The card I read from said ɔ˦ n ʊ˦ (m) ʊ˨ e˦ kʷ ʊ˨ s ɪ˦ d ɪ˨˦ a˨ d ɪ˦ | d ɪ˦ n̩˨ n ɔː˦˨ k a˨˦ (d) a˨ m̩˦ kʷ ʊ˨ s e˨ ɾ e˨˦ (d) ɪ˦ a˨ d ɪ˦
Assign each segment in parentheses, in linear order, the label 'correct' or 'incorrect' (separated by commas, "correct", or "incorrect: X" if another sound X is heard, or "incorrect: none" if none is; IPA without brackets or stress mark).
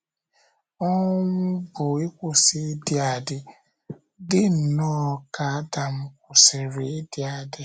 incorrect: b, correct, correct